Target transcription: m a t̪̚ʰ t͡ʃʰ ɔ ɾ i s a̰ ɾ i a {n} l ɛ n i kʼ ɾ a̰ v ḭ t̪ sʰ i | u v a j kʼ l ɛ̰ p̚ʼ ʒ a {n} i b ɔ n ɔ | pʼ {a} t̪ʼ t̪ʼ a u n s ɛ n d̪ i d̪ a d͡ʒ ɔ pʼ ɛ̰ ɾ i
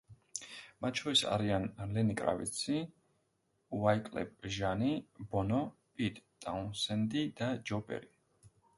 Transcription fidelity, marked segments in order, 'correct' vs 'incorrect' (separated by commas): correct, correct, incorrect